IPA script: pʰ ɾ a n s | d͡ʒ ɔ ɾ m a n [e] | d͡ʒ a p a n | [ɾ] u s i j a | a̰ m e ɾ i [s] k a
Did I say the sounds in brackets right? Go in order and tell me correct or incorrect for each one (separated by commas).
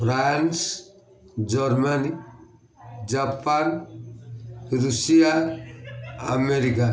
incorrect, correct, incorrect